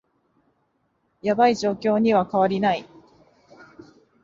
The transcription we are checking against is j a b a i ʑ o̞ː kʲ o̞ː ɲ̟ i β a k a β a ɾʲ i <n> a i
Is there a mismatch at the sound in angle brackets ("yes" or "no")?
no